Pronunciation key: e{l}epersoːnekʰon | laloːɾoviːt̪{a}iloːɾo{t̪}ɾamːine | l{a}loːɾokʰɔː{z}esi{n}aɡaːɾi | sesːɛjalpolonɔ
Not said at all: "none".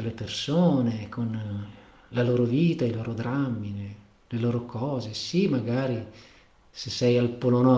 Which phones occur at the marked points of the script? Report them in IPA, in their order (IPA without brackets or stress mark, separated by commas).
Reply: l, a, d̪, e, z, m